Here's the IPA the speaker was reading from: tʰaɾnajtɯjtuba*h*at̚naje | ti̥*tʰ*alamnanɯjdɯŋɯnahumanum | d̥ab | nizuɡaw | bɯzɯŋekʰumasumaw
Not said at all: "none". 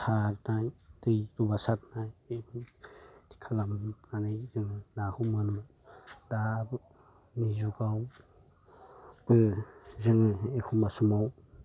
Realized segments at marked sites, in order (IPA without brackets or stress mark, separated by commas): s, kʰ